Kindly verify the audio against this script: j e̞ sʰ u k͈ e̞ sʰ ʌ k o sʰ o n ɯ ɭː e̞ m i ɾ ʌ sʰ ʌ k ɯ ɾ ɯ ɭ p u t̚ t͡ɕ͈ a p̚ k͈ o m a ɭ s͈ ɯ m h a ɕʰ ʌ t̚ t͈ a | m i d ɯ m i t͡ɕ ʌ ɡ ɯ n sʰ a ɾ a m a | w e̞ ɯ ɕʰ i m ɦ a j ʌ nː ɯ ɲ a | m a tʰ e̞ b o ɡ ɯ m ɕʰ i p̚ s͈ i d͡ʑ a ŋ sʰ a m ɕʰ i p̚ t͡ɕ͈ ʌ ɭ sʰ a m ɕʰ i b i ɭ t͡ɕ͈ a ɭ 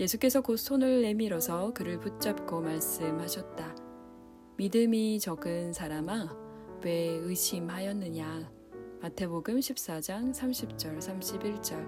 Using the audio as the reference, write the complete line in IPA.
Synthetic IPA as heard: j e̞ sʰ u k͈ e̞ sʰ ʌ k o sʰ o n ɯ ɭː e̞ m i ɾ ʌ sʰ ʌ k ɯ ɾ ɯ ɭ p u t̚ t͡ɕ͈ a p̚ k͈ o m a ɭ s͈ ɯ m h a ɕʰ ʌ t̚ t͈ a | m i d ɯ m i t͡ɕ ʌ ɡ ɯ n sʰ a ɾ a m a | w e̞ ɯ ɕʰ i m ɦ a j ʌ nː ɯ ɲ a | m a tʰ e̞ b o ɡ ɯ m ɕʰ i p̚ s͈ a d͡ʑ a ŋ sʰ a m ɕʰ i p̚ t͡ɕ͈ ʌ ɭ sʰ a m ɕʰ i b i ɭ t͡ɕ͈ ʌ ɭ